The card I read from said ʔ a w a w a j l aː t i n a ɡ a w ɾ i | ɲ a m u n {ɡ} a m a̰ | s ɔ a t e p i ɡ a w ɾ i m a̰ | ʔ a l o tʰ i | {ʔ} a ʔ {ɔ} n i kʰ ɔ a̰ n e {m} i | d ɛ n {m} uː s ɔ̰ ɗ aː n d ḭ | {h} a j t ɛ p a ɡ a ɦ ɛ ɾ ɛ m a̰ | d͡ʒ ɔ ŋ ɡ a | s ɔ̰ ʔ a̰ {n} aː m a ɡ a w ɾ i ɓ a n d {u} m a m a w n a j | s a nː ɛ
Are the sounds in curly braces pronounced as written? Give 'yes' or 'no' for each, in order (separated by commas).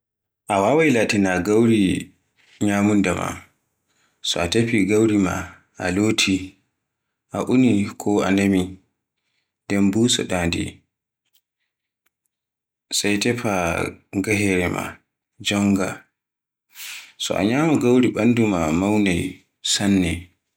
no, yes, no, yes, no, no, no, yes